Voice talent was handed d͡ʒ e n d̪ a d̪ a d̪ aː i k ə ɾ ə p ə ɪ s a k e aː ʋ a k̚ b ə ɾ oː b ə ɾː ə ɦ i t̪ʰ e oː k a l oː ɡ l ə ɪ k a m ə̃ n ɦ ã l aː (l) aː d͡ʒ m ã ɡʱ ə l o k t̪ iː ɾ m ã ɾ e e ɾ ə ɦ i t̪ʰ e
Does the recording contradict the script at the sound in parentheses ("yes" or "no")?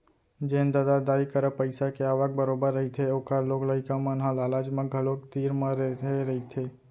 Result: no